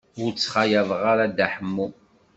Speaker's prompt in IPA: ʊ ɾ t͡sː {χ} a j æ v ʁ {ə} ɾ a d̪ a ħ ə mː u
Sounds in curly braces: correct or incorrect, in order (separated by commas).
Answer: correct, incorrect